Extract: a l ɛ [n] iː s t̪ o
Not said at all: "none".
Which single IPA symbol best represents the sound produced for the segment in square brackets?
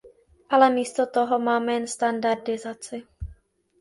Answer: m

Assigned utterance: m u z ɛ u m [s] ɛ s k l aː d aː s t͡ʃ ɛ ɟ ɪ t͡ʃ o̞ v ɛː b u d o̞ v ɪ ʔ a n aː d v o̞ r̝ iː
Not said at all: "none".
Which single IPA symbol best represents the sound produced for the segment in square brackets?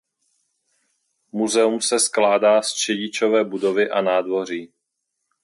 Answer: s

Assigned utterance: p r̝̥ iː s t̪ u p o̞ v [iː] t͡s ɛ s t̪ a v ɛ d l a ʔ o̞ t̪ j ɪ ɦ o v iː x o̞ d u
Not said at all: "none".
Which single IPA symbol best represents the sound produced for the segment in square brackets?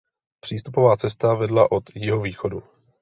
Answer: aː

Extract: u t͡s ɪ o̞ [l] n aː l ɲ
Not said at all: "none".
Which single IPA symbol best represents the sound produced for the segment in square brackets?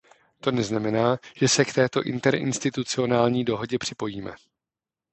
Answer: none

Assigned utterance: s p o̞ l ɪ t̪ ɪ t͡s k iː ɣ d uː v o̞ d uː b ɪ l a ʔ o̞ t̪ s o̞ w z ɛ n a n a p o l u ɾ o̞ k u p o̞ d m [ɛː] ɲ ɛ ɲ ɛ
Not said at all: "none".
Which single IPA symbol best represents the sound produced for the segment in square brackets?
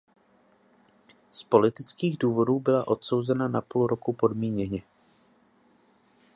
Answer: iː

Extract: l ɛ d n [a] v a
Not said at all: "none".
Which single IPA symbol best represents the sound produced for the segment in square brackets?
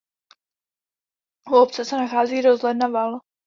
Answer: a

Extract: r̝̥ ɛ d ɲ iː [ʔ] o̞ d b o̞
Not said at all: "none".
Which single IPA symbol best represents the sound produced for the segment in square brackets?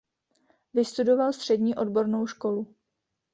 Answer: ʔ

